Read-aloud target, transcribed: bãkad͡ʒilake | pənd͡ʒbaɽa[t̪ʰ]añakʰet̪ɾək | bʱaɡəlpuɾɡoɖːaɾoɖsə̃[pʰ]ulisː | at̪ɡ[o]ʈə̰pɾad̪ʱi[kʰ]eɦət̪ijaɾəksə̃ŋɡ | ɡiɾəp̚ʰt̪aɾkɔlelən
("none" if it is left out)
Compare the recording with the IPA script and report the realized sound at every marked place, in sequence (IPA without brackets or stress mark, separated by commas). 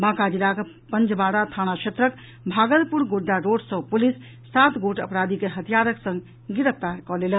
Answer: t̪ʰ, p, o, k